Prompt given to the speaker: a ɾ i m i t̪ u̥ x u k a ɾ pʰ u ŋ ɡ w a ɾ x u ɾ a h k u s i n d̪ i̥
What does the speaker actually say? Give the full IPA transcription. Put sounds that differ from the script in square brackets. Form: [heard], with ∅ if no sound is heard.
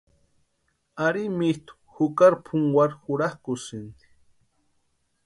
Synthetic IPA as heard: a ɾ i m i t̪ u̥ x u k a ɾ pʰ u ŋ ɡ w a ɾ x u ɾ a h k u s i n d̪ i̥